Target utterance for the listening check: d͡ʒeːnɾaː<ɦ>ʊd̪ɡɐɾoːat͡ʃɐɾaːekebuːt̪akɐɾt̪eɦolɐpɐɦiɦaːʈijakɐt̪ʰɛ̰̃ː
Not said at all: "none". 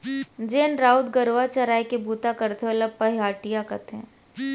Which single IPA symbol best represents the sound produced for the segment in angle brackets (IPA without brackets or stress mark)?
none